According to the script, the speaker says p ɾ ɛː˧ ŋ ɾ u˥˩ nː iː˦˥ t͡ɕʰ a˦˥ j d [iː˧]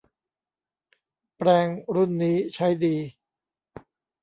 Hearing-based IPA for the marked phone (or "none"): iː˧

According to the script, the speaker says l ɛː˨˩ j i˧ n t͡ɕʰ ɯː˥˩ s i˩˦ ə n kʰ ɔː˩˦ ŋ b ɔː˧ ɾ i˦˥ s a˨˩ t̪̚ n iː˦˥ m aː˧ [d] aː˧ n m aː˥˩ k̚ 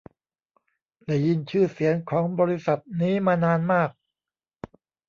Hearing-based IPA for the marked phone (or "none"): n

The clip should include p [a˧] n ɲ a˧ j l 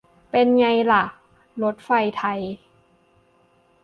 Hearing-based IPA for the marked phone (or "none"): e˧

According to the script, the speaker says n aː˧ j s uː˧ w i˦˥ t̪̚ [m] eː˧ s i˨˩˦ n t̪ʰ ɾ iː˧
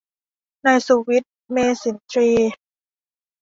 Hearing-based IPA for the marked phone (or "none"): m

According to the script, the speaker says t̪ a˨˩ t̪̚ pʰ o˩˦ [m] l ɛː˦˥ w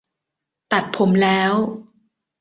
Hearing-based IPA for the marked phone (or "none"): m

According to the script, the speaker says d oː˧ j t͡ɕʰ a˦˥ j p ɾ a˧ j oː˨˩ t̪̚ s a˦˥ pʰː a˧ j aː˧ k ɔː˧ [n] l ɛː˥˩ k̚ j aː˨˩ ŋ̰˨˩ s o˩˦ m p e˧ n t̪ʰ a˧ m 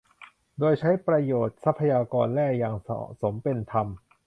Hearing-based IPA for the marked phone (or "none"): n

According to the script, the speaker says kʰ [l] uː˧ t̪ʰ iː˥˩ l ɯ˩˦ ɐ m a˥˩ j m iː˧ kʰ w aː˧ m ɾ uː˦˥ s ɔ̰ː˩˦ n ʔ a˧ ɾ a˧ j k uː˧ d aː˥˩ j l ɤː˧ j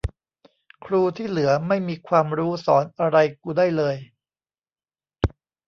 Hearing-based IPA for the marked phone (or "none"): ɾ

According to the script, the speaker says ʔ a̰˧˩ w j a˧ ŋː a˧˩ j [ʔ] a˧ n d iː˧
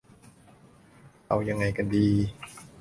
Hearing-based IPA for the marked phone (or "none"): k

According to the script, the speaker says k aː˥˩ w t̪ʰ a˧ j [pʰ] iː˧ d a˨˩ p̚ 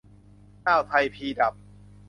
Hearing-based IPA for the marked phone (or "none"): pʰ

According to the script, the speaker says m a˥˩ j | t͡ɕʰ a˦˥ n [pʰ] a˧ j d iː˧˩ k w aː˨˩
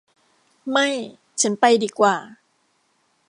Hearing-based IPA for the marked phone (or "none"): p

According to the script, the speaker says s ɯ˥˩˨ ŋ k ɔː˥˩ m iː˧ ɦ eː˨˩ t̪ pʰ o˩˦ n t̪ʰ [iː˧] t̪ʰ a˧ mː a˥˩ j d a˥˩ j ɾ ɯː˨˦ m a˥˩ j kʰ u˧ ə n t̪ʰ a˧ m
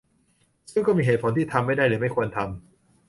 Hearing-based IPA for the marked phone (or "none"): iː˥˩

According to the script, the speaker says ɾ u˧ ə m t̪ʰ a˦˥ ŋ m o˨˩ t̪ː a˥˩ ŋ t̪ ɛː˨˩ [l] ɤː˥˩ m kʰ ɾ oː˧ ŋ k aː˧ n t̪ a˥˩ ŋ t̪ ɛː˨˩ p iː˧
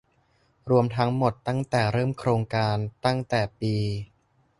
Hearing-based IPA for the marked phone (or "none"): ɾ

